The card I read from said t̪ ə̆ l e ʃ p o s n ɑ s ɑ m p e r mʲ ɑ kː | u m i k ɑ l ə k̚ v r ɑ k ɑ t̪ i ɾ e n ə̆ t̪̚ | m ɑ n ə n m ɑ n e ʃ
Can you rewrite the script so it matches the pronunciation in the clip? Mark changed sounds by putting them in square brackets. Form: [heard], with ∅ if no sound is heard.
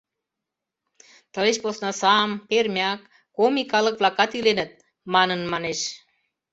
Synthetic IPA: t̪ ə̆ l e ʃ p o s n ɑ s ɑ m p e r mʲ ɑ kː | [o] m i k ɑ l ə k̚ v [l] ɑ k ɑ t̪ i [l] e n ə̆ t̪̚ | m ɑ n ə n m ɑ n e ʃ